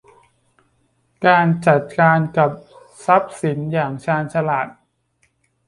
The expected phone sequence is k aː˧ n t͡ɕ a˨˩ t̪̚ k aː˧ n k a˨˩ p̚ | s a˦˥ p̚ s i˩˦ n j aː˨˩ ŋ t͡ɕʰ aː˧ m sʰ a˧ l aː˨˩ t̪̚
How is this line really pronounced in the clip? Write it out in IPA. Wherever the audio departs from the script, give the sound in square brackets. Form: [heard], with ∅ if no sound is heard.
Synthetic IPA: k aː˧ n t͡ɕ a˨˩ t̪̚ k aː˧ n k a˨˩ p̚ | s a˦˥ p̚ s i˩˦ n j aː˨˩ ŋ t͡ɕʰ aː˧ [n] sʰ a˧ l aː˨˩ t̪̚